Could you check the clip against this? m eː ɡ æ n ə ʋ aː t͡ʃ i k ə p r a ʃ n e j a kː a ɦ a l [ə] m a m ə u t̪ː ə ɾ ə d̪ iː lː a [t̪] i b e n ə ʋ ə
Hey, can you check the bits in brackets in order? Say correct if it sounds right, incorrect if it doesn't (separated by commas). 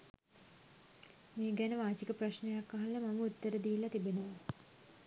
correct, correct